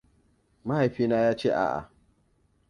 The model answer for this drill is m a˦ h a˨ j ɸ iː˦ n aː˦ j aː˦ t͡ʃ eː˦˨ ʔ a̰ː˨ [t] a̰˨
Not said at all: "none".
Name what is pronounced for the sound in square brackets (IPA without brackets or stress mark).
ʔ